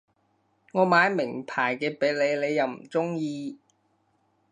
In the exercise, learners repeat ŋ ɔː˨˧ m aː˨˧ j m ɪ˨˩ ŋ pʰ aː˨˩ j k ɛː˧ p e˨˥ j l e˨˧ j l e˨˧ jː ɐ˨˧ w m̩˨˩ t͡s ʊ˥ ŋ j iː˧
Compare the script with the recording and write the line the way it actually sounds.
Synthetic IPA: ŋ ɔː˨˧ m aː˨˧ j m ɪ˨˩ ŋ pʰ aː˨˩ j k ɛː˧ p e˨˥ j l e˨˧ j l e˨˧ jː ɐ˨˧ w m̩˨˩ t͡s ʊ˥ ŋ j iː˧